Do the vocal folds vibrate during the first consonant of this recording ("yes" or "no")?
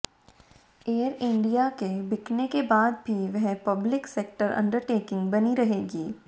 yes